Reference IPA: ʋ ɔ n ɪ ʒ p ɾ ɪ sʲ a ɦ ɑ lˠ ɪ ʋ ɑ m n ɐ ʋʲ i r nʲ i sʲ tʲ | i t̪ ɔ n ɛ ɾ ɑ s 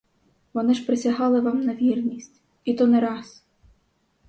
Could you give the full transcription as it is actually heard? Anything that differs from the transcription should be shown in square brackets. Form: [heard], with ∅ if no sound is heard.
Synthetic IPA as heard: ʋ ɔ n ɪ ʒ p ɾ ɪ sʲ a ɦ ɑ lˠ ɪ ʋ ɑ m n ɐ ʋʲ i r nʲ i sʲ tʲ | i t̪ ɔ n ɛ ɾ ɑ s